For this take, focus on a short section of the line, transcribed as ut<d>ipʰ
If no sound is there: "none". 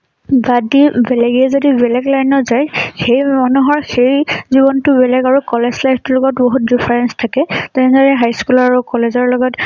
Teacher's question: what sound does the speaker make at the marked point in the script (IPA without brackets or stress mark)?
d